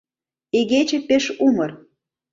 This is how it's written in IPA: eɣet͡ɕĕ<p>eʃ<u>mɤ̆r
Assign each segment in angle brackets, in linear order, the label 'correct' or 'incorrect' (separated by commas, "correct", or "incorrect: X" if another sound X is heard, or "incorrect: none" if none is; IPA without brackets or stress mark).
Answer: correct, correct